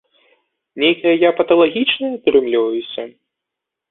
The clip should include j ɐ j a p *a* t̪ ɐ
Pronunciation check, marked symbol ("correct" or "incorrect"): incorrect